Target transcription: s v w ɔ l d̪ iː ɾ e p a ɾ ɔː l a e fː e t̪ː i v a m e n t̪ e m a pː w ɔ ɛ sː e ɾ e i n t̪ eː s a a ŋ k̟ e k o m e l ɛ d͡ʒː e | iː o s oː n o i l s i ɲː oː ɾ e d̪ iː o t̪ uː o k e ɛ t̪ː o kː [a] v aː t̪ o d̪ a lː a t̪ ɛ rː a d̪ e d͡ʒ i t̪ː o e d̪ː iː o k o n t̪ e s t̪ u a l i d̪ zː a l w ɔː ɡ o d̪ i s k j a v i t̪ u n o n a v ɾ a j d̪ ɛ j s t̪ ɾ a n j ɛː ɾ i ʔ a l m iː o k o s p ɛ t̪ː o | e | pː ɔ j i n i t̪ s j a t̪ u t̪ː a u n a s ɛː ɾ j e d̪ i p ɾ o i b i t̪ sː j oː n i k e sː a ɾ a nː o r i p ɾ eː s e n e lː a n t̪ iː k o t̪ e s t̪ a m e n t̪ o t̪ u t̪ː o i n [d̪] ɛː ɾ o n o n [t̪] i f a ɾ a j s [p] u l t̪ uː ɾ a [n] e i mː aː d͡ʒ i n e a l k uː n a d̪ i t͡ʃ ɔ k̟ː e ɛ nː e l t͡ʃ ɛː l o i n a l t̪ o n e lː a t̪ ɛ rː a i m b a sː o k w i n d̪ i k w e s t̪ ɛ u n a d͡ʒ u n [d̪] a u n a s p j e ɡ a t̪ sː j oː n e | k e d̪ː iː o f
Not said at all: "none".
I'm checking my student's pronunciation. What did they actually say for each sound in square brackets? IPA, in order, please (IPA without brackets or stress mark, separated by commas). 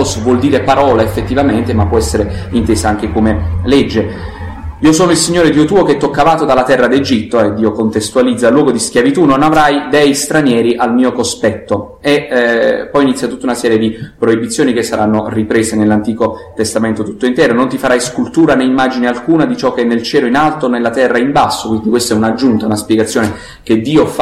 a, t̪, t̪, k, n, t̪